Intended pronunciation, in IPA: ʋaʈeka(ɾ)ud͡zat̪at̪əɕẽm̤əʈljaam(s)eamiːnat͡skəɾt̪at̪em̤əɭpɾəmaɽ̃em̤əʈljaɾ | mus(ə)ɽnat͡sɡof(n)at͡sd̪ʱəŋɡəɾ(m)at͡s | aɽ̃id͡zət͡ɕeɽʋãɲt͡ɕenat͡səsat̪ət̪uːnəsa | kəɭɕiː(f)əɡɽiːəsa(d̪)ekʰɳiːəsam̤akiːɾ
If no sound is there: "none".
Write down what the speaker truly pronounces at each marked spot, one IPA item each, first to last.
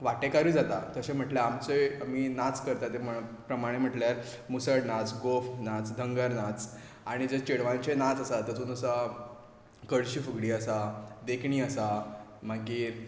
ɾ, t͡s, ə, n, n, f, d̪

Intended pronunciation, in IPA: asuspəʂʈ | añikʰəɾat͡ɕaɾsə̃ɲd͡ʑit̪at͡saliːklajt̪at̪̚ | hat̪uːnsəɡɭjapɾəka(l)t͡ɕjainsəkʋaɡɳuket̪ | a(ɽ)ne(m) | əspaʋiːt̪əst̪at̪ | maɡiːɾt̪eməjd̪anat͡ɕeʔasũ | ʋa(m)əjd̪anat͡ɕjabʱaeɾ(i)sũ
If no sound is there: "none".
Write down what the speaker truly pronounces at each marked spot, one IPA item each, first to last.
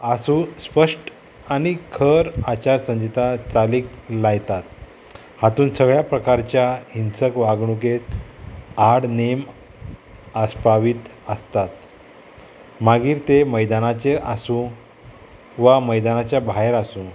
ɾ, ɽ, m, m, a

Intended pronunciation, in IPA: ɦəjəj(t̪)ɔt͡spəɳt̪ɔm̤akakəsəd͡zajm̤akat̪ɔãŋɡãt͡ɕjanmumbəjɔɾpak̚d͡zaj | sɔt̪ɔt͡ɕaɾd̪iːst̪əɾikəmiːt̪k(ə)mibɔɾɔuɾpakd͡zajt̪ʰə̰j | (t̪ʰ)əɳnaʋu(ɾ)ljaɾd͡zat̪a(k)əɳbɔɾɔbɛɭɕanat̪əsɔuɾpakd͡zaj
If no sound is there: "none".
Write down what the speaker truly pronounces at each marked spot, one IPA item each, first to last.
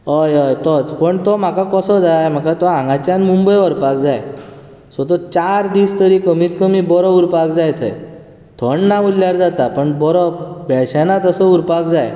t̪, ə, t̪ʰ, l, p

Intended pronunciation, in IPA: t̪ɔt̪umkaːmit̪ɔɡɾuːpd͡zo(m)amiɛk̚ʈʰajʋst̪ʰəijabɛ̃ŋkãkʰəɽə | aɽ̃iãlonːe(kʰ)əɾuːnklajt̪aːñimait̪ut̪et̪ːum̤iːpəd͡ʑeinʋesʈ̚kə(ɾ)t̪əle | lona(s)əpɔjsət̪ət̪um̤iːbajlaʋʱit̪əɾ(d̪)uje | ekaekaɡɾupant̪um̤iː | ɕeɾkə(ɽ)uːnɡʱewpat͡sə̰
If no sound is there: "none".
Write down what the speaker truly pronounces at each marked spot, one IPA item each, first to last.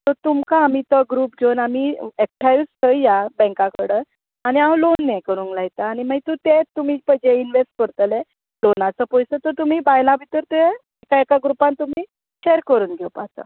n, k, ɾ, t͡s, t̪, ɾ

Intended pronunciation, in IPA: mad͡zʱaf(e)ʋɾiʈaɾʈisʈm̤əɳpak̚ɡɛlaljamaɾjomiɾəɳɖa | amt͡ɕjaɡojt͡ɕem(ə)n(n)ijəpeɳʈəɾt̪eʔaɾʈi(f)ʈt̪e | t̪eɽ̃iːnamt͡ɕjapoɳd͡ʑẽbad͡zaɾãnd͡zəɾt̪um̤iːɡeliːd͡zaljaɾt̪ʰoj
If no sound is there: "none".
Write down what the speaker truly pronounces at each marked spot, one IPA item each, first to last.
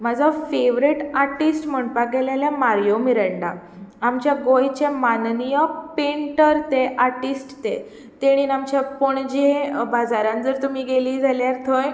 e, a, n, s

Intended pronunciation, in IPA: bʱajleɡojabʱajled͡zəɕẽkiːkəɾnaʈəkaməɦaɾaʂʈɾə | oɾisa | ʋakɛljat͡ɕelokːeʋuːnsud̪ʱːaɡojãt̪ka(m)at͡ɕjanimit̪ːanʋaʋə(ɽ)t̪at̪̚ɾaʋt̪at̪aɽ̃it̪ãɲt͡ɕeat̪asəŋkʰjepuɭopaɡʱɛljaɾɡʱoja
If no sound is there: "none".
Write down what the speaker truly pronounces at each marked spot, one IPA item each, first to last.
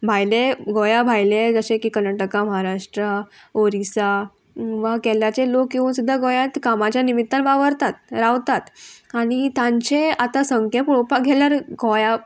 m, ɾ

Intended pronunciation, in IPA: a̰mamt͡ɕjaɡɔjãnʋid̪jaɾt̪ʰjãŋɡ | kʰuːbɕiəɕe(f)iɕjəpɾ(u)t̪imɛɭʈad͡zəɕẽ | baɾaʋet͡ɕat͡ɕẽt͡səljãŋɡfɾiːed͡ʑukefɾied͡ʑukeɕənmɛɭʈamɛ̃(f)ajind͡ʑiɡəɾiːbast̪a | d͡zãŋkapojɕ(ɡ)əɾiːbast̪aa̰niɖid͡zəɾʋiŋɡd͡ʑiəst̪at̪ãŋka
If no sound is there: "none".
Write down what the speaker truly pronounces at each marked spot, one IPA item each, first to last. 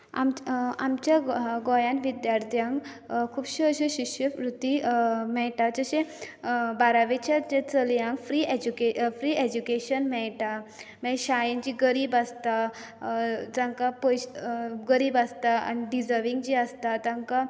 ɕ, u, ɕ, ɡ

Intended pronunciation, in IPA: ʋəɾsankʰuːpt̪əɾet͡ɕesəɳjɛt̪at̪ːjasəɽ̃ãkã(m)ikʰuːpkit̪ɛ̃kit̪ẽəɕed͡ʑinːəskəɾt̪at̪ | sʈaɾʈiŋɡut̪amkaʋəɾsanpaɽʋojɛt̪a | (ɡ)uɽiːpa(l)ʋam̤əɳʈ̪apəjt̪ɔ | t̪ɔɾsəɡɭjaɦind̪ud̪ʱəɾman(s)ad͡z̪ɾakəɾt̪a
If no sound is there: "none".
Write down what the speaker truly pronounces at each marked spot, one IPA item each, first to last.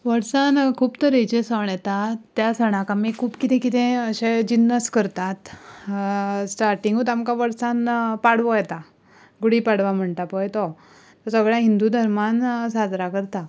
m, ɡ, ɽ, s

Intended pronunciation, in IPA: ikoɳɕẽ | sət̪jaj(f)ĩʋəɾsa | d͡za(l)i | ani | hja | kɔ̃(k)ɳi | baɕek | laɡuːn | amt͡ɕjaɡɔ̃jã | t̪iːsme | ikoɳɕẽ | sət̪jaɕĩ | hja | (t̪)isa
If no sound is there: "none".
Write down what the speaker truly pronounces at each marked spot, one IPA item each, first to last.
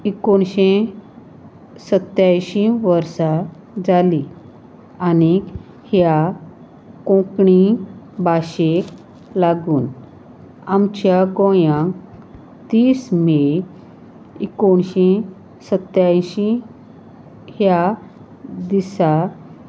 ɕ, l, k, d̪

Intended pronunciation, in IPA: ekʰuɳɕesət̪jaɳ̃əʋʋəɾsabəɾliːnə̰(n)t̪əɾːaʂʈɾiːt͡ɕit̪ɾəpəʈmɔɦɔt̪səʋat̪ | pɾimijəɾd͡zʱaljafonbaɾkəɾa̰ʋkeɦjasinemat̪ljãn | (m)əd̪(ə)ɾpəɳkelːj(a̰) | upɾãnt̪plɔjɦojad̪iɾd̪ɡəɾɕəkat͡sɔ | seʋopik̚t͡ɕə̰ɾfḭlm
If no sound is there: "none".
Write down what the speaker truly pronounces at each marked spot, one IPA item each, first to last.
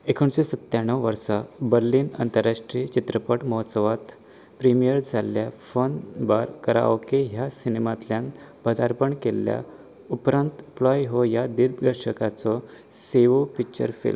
n, b, a, a̰

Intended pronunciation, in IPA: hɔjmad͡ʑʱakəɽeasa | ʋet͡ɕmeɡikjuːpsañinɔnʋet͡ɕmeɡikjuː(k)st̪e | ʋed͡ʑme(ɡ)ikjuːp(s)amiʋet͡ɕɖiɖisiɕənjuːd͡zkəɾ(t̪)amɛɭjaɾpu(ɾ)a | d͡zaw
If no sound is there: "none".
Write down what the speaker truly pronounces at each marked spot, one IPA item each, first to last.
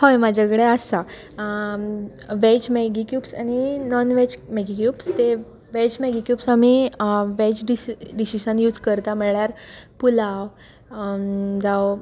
p, ɡ, s, t̪, l

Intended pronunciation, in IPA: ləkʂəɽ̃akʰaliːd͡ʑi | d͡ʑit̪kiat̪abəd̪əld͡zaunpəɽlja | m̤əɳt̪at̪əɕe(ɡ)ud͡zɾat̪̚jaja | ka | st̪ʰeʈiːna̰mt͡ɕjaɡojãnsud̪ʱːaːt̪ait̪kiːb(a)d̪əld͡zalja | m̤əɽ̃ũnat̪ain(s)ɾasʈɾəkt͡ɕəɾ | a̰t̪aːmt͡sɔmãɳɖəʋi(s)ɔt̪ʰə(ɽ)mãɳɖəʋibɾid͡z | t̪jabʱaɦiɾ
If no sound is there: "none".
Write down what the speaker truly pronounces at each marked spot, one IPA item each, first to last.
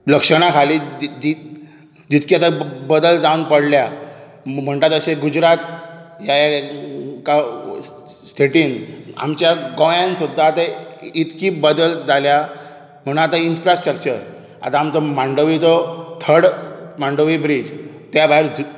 ɡ, ə, f, t͡s, ɽ

